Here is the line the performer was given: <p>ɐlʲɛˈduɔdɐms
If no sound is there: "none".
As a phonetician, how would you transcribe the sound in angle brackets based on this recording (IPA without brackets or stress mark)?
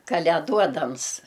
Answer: k